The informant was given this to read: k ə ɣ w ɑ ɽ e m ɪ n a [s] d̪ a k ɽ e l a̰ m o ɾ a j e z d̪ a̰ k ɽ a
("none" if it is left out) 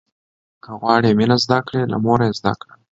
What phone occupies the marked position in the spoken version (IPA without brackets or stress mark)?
z